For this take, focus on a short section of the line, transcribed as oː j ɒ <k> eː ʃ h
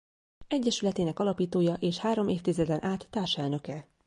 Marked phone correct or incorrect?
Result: incorrect